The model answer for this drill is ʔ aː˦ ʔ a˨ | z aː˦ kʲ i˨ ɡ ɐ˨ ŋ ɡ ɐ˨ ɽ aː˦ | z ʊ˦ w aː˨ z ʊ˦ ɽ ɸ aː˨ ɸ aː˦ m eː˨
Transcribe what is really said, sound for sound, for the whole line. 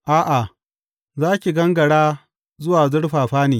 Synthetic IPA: ʔ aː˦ ʔ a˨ | z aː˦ kʲ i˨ ɡ ɐ˦ ŋ ɡ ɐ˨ ɽ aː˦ | z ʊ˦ w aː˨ z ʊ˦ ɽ ɸ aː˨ ɸ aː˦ n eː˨

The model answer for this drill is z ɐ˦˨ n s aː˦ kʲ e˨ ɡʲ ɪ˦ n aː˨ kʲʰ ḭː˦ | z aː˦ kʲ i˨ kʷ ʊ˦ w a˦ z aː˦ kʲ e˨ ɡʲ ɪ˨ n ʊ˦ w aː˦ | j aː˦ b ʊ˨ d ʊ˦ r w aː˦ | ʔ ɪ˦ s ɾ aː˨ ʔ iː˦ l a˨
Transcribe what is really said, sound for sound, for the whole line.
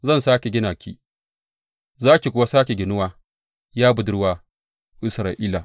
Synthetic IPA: z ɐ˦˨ n s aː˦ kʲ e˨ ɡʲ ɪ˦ n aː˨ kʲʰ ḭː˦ | z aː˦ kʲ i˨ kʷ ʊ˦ w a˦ s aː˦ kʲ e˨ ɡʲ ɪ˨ n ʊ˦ w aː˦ | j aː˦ b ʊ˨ d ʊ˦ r w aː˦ | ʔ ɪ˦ s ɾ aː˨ ʔ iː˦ l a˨

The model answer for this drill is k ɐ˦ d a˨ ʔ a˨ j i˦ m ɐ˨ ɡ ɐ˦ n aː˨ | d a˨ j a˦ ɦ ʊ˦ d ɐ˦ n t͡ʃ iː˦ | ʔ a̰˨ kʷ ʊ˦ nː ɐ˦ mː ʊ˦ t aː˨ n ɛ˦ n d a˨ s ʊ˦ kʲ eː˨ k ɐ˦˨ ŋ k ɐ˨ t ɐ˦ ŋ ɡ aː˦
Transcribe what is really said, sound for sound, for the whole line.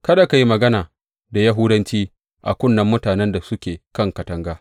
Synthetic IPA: k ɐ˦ d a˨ k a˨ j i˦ m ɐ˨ ɡ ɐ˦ n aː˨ | d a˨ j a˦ ɦ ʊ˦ d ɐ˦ n t͡ʃ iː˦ | ʔ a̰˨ kʷ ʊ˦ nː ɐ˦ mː ʊ˦ t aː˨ n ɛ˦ n d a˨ s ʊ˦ kʲ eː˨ k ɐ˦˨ ŋ k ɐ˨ t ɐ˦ ŋ ɡ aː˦

